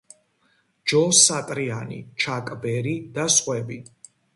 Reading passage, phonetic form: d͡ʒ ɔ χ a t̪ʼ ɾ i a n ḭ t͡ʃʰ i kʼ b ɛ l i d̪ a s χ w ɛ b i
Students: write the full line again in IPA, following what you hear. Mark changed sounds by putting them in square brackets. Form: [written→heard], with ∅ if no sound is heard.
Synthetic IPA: d͡ʒ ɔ [χ→s] a t̪ʼ ɾ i a n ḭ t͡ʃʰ [i→a] kʼ b ɛ [l→ɾ] i d̪ a s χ w ɛ b i

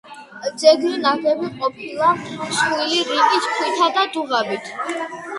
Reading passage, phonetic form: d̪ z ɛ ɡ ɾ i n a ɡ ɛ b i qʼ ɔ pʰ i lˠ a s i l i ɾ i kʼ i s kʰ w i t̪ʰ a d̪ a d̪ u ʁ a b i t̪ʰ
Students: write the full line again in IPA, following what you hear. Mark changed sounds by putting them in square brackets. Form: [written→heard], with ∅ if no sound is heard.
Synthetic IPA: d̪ z ɛ ɡ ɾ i n a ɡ ɛ b i qʼ ɔ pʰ i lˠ a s i l i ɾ i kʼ i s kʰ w i t̪ʰ a d̪ a d̪ u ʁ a b i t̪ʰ

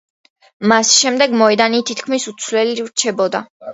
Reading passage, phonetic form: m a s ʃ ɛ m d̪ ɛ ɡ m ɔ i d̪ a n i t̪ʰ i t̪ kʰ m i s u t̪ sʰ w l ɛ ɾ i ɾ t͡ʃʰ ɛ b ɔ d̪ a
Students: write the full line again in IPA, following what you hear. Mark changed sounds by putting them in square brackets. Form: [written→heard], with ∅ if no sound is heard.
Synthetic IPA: m a s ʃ ɛ m d̪ ɛ ɡ m ɔ [i→ɛ] d̪ a n i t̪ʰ i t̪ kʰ m i s u t̪ sʰ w l ɛ [ɾ→l] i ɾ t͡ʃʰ ɛ b ɔ d̪ a

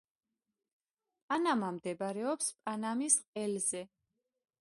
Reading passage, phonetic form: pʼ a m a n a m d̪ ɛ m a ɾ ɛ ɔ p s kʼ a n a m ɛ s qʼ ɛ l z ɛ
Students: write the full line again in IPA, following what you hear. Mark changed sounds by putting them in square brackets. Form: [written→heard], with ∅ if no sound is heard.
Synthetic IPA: pʼ a [m→n] a [n→m] a m d̪ ɛ [m→b] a ɾ ɛ ɔ p s [kʼ→pʼ] a n a m [ɛ→i] s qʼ ɛ l z ɛ

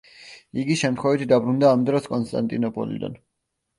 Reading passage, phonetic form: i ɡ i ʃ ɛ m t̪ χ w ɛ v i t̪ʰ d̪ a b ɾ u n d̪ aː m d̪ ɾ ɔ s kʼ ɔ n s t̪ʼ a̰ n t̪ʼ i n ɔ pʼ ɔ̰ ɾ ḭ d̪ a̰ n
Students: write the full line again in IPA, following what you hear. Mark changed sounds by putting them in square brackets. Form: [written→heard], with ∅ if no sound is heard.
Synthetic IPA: i ɡ i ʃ ɛ m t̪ χ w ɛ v i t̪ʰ d̪ a b ɾ u n d̪ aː m d̪ ɾ ɔ s kʼ ɔ n s t̪ʼ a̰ n t̪ʼ i n ɔ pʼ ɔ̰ [ɾ→l] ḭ d̪ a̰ n

